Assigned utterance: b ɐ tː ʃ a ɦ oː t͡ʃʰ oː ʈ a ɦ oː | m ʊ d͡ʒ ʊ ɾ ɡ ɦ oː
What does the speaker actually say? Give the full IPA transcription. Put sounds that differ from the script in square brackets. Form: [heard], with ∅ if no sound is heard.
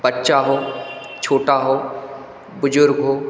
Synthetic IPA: b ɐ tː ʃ a ɦ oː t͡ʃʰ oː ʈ a ɦ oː | [b] ʊ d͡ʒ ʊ ɾ ɡ ɦ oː